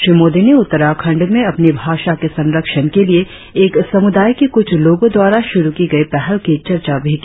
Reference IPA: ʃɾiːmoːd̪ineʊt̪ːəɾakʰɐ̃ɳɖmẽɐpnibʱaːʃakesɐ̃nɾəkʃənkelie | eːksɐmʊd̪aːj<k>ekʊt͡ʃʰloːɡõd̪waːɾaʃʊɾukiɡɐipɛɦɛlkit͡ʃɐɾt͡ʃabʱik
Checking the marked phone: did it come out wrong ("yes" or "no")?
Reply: no